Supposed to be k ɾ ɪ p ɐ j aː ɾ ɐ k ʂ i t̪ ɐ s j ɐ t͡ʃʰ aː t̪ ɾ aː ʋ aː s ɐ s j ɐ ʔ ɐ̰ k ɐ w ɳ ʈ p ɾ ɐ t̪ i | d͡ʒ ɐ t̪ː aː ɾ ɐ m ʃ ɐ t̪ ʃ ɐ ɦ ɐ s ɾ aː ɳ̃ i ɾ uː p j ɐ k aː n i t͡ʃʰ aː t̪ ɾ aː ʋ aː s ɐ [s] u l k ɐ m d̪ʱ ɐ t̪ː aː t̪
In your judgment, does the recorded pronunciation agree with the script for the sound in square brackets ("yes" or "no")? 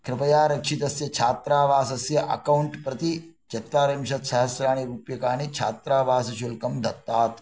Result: no